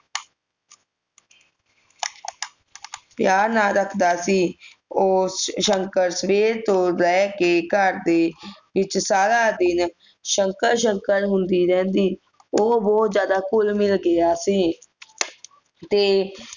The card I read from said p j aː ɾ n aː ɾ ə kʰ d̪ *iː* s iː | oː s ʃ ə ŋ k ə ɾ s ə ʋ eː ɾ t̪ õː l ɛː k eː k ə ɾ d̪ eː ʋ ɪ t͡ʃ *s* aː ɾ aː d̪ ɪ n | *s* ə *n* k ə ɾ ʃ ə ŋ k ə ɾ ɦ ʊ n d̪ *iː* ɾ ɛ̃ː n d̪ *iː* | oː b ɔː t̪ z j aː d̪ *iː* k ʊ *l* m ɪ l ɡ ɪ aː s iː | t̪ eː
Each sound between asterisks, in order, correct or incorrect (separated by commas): incorrect, correct, incorrect, incorrect, correct, correct, incorrect, correct